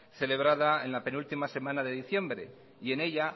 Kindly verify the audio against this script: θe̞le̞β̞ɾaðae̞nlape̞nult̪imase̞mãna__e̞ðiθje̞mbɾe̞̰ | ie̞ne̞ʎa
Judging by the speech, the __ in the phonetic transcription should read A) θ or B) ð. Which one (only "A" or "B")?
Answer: B